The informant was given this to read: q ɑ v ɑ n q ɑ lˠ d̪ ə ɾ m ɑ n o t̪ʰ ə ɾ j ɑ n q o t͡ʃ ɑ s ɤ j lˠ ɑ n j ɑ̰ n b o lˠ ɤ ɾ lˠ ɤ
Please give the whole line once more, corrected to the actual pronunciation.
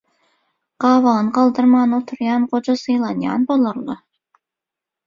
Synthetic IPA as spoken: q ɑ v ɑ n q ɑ lˠ d̪ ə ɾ m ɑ n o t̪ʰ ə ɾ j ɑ n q o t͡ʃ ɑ s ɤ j lˠ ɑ n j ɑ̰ n b o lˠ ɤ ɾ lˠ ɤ

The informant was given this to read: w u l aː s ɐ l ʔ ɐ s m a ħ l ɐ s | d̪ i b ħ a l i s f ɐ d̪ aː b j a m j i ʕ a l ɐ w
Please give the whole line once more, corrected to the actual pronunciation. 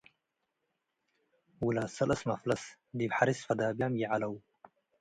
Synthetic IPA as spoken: w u l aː s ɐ l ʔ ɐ s m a f l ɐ s | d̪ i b ħ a ɾ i s f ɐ d̪ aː b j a m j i ʕ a l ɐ w

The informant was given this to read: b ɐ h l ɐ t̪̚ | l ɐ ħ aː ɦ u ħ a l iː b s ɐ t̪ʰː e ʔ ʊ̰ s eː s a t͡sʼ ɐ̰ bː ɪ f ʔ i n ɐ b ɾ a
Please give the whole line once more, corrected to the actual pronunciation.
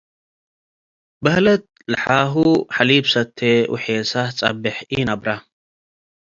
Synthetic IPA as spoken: b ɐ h l ɐ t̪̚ | l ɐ ħ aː ɦ u ħ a l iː b s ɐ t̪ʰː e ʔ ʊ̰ ħ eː s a t͡sʼ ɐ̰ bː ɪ ħ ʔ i n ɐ b ɾ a

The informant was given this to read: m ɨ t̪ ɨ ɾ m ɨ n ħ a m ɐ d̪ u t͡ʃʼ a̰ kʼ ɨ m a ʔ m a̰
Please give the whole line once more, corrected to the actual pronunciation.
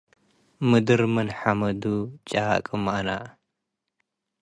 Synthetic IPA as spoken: m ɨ d̪ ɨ ɾ m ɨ n ħ a m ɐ d̪ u t͡ʃʼ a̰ kʼ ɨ m a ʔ n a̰

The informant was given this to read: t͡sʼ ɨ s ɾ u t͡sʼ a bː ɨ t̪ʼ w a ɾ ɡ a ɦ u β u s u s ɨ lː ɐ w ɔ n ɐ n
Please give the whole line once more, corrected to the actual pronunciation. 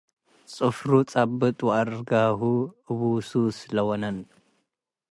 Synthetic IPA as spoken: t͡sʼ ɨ f ɾ u t͡sʼ a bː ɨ t̪ʼ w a ɾ ɡ a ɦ u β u s u s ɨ l ɐ w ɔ n ɐ n

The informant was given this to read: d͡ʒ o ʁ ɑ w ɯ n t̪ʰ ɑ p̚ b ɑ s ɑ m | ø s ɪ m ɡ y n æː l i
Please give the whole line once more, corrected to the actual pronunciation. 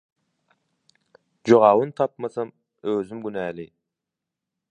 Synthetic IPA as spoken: d͡ʒ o ʁ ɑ w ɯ n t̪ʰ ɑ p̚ m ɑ s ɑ m | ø z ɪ m ɡ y n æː l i

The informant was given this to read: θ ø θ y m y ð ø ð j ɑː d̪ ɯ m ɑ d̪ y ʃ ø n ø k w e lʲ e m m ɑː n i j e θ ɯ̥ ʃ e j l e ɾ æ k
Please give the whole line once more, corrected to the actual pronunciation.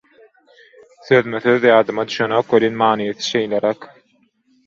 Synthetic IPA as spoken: θ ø ð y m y θ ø ð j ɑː d̪ ɯ m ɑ d̪ y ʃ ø n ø k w e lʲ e n m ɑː n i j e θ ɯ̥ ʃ e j l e ɾ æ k

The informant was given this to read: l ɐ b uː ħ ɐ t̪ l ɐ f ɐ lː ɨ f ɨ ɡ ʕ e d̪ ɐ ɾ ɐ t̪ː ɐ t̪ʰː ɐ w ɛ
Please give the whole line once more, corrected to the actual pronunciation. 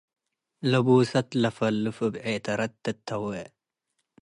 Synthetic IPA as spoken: l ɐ b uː s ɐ t̪ l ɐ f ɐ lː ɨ f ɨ b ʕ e t̪ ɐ ɾ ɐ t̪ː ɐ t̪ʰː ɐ w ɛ

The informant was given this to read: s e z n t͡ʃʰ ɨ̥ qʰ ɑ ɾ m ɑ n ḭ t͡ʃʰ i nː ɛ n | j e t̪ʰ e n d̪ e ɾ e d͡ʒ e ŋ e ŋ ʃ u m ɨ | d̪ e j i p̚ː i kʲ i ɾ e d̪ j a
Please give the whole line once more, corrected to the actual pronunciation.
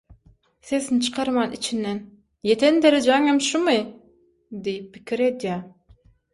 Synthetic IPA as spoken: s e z n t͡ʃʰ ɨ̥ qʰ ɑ ɾ m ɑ n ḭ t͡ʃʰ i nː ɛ n | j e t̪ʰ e n d̪ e ɾ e d͡ʒ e ŋ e m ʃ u m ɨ | d̪ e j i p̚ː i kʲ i ɾ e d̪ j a

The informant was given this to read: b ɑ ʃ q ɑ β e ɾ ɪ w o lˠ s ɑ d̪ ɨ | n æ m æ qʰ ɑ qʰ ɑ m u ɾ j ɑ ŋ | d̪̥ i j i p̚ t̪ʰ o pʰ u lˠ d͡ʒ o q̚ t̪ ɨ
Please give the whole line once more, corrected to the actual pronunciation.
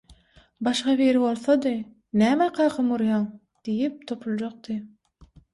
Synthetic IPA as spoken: b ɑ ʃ q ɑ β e ɾ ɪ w o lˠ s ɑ d̪ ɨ | n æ m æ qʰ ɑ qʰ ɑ m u ɾ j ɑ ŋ | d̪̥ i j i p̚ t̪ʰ o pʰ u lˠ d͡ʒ o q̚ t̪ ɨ

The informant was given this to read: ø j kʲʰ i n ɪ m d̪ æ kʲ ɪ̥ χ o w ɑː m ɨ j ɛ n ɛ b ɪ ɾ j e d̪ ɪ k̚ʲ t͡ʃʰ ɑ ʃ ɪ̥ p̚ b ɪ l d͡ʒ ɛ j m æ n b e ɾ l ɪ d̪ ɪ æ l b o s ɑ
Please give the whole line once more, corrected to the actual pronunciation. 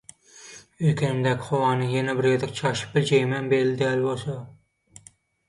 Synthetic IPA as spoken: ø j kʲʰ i n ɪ m d̪ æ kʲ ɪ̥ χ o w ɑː n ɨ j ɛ n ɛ b ɪ ɾ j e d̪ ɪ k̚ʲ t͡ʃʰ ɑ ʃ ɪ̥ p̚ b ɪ l d͡ʒ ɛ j m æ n b e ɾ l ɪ d̪ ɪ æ l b o s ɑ

